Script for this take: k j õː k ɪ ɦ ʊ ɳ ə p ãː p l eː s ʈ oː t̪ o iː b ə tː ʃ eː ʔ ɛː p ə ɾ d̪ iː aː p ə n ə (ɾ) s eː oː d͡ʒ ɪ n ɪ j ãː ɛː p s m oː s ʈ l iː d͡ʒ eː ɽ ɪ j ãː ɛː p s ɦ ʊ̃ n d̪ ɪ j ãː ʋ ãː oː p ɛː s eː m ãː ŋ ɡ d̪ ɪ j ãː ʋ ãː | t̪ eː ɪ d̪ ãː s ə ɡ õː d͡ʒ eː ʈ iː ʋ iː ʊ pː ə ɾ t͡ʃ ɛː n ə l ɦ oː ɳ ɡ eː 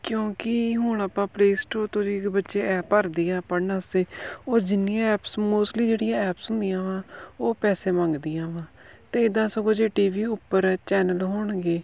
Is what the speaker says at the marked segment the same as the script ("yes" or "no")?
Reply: no